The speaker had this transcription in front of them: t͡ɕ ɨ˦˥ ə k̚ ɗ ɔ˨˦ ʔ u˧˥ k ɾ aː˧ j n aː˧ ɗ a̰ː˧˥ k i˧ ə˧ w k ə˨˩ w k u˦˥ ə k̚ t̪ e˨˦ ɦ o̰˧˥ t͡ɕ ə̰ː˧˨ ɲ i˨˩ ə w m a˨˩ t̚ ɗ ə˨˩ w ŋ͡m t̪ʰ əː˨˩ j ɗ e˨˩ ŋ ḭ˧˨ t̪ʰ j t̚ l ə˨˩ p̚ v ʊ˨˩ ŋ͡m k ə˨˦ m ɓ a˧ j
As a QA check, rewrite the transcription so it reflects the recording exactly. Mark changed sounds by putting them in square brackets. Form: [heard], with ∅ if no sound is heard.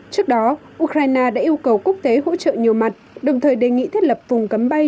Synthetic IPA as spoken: t͡ɕ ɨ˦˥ ə k̚ ɗ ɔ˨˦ ʔ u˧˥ k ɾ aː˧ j n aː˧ ɗ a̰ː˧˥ [ʔ] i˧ ə˧ w k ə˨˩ w k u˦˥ ə k̚ t̪ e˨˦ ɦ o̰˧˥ t͡ɕ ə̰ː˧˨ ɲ i˨˩ ə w m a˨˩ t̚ ɗ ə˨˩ w ŋ͡m t̪ʰ əː˨˩ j ɗ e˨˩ ŋ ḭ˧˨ t̪ʰ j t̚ l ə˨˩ p̚ v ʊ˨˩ ŋ͡m k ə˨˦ m ɓ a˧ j

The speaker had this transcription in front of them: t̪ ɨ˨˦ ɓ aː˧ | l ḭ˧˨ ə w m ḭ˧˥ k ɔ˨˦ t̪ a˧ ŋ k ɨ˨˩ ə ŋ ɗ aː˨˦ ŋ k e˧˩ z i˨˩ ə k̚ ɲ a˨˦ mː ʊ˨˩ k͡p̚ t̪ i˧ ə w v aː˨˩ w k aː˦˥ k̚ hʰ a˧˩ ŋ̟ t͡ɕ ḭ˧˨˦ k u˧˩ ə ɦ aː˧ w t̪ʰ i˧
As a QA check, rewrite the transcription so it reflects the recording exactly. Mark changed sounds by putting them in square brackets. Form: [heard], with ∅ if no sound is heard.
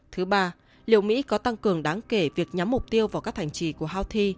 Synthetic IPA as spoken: [t̪ʰ] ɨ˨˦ ɓ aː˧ | l ḭ˧˨ ə w m ḭ˧˥ k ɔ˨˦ t̪ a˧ ŋ k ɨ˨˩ ə ŋ ɗ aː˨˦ ŋ k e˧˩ [v] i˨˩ ə k̚ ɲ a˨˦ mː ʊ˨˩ k͡p̚ t̪ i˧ ə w v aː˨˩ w k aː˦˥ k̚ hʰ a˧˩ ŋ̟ t͡ɕ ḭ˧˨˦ k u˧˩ ə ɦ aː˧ w t̪ʰ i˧

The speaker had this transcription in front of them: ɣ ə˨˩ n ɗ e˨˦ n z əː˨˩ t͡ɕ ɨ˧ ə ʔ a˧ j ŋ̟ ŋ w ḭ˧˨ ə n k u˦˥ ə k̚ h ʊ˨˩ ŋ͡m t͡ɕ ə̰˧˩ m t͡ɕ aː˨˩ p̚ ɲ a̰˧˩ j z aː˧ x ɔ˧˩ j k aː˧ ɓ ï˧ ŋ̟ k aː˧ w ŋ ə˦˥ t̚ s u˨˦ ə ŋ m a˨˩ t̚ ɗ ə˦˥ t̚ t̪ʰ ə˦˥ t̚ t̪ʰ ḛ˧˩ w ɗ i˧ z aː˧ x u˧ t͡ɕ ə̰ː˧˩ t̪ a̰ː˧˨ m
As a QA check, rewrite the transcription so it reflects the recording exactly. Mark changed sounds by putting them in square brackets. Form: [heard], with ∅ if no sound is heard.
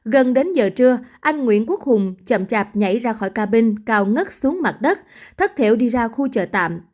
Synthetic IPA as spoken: ɣ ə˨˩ n ɗ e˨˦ n z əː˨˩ t͡ɕ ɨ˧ ə ʔ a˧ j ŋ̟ ŋ w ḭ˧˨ ə n k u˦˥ ə k̚ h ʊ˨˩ ŋ͡m t͡ɕ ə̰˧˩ m t͡ɕ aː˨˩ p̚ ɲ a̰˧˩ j z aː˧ x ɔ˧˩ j k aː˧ ɓ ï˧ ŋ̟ k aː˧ w ŋ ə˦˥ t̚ s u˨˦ ə ŋ m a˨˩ t̚ ɗ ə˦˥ t̚ t̪ʰ ə˦˥ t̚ t̪ʰ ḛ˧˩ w ɗ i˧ z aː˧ x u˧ t͡ɕ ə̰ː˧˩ t̪ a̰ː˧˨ m

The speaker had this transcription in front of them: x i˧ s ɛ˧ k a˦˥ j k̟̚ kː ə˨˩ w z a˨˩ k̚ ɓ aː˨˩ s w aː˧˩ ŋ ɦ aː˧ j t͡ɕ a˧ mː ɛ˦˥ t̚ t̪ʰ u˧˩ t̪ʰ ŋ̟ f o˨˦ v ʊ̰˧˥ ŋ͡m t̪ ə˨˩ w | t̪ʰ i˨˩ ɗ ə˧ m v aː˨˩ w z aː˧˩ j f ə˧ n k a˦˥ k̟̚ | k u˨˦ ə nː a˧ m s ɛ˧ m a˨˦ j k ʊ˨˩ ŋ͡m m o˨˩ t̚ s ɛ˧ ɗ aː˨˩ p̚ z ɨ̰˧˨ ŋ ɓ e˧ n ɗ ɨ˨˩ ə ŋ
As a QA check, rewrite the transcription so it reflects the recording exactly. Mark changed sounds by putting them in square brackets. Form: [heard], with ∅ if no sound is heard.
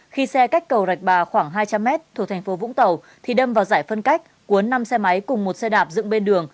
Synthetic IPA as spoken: x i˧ s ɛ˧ k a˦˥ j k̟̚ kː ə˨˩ w z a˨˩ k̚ ɓ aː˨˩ [x] w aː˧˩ ŋ ɦ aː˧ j t͡ɕ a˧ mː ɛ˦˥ t̚ t̪ʰ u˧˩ t̪ʰ ŋ̟ f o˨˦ v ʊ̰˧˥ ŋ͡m t̪ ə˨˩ w | t̪ʰ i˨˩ ɗ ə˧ m v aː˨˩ w z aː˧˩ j f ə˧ n k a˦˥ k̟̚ | k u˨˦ ə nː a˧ m s ɛ˧ m a˨˦ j k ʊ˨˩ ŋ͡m m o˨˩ t̚ s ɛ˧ ɗ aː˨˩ p̚ z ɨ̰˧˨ ŋ ɓ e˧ n ɗ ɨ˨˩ ə ŋ

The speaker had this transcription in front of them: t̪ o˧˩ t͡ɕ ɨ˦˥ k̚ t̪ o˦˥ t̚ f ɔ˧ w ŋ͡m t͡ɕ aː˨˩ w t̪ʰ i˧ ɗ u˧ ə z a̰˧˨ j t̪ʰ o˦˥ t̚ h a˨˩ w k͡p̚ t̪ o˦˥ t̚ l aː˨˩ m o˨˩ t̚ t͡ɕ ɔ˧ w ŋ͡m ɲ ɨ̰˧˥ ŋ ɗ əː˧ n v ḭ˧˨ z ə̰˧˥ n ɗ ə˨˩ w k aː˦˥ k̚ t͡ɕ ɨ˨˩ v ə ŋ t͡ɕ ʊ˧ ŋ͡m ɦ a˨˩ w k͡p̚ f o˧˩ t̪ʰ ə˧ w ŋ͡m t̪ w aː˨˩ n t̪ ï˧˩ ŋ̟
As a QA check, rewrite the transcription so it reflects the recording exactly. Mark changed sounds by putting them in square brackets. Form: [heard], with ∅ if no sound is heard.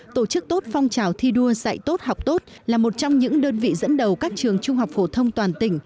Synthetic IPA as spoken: t̪ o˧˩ t͡ɕ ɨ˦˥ k̚ t̪ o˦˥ t̚ f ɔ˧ w ŋ͡m t͡ɕ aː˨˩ w t̪ʰ i˧ ɗ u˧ ə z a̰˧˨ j [t̪] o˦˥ t̚ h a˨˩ w k͡p̚ t̪ o˦˥ t̚ l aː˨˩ m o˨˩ t̚ t͡ɕ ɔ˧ w ŋ͡m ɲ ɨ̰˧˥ ŋ ɗ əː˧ n v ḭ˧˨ z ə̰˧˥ n ɗ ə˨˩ w k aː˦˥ k̚ t͡ɕ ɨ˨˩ [∅] ə ŋ t͡ɕ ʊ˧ ŋ͡m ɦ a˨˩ w k͡p̚ f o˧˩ t̪ʰ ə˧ w ŋ͡m t̪ w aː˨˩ n t̪ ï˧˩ ŋ̟

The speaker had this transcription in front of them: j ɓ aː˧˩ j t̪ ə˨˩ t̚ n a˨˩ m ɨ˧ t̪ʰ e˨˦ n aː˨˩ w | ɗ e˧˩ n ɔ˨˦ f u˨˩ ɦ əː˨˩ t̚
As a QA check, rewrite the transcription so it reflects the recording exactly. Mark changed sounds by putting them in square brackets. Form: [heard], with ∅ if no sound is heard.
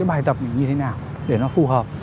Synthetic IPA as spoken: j ɓ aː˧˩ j t̪ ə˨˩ [p̚] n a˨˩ [ɲ] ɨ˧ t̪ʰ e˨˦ n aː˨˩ w | ɗ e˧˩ n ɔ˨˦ f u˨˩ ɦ əː˨˩ [p̚]

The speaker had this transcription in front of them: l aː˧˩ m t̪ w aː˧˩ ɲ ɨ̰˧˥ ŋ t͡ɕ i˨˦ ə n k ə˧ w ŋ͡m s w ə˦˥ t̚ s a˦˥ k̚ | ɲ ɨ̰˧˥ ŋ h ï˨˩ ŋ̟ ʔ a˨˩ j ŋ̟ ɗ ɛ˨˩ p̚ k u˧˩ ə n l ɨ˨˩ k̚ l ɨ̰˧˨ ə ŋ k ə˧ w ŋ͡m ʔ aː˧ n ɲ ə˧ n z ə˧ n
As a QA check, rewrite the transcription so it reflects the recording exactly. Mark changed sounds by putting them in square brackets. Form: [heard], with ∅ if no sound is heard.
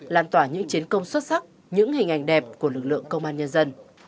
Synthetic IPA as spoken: l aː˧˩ m t̪ w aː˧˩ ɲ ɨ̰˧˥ ŋ t͡ɕ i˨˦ ə n k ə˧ w ŋ͡m s w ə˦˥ t̚ s a˦˥ k̚ | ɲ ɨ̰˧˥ ŋ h ï˨˩ ŋ̟ ʔ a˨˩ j ŋ̟ ɗ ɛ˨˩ p̚ k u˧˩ ə [∅] l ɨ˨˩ k̚ l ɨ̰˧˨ ə ŋ k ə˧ w ŋ͡m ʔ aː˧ n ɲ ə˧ n z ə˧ n

